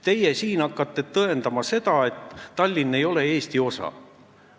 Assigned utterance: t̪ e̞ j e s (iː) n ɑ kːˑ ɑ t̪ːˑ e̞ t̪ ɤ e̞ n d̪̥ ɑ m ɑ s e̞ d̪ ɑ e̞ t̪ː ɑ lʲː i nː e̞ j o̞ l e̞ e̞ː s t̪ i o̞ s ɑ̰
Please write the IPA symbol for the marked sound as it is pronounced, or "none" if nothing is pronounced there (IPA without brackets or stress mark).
iː